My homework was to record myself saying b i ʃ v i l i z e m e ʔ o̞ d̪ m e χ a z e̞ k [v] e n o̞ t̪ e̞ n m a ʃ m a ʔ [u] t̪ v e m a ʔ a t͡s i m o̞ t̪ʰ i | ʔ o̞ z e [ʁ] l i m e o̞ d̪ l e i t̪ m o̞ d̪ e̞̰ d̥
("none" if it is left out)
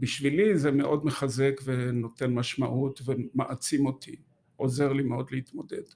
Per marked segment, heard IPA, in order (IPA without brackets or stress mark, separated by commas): v, u, ʁ